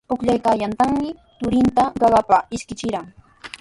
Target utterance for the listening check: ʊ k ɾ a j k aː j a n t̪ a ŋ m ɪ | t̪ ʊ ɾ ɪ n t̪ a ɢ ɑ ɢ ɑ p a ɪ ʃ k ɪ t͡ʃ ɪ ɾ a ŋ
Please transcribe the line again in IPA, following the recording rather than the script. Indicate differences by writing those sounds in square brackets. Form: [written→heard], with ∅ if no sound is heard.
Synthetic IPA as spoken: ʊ k [ɾ→ʎ] a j k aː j a n t̪ a ŋ m ɪ | t̪ ʊ ɾ ɪ n t̪ a ɢ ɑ ɢ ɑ p a ɪ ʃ k ɪ t͡ʃ ɪ ɾ a ŋ